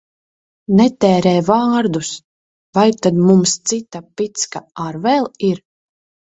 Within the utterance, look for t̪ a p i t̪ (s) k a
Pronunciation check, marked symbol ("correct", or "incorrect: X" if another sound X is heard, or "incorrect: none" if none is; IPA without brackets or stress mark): correct